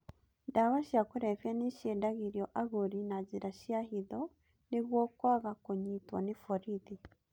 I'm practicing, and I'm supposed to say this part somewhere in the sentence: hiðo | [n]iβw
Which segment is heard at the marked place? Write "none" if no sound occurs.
n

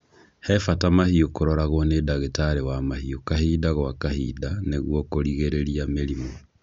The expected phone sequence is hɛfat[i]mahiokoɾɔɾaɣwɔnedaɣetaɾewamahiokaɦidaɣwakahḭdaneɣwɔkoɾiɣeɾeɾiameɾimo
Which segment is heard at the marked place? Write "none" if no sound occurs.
a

